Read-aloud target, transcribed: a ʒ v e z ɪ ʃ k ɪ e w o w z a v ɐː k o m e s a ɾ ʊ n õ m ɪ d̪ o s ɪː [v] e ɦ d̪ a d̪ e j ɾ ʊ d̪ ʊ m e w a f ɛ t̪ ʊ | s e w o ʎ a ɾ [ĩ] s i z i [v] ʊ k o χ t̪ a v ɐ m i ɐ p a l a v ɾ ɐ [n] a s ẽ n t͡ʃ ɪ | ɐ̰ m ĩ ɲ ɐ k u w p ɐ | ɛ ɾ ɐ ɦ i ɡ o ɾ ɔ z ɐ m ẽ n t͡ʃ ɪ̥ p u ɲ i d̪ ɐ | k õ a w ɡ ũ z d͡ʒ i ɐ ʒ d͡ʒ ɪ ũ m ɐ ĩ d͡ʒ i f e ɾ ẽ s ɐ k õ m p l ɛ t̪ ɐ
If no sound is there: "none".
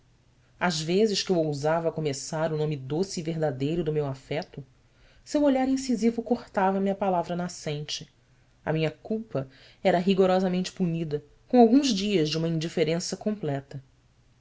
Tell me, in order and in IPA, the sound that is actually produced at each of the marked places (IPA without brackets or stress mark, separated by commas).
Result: v, ĩ, v, n